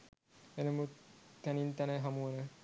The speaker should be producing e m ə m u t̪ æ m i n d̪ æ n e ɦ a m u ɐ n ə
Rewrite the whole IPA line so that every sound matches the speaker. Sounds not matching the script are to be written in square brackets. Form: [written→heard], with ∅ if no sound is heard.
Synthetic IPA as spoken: e [m→n] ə m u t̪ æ [m→n] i n [d̪→t̪] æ n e ɦ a m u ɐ n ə